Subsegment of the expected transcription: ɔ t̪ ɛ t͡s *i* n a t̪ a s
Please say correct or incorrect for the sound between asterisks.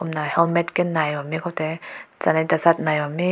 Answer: incorrect